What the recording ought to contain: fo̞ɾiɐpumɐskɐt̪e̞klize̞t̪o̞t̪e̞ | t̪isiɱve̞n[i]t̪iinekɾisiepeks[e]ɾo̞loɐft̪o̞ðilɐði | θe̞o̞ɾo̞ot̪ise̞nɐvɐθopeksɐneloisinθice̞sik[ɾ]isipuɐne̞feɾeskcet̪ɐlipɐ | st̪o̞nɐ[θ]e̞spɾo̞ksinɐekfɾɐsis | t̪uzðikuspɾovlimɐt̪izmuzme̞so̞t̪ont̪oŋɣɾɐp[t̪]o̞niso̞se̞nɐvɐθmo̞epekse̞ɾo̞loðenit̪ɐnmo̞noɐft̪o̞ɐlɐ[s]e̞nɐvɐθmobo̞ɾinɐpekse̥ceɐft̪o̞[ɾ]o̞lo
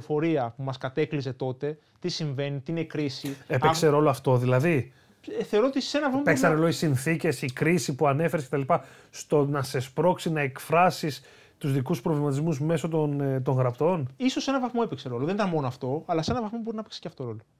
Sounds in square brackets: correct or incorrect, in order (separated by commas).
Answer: correct, correct, correct, incorrect, correct, correct, correct